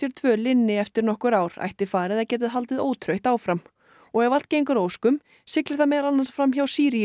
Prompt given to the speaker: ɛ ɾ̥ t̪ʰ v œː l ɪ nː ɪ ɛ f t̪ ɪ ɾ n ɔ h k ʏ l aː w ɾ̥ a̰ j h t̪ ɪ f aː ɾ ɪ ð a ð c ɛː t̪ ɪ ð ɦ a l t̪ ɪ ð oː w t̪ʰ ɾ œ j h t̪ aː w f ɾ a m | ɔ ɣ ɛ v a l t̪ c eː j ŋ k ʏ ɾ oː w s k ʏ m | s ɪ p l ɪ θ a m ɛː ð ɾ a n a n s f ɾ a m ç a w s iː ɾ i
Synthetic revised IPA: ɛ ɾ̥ t̪ʰ v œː l ɪ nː ɪ ɛ f t̪ ɪ ɾ n ɔ h k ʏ ɾ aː w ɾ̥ a̰ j h t̪ ɪ f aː ɾ ɪ ð a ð c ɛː t̪ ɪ ð ɦ a l t̪ ɪ ð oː w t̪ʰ ɾ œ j h t̪ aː w f ɾ a m | ɔ ɣ ɛ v a l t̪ c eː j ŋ k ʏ ɾ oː w s k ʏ m | s ɪ k l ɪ θ a m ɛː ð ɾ a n a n s f ɾ a m ç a w s iː ɾ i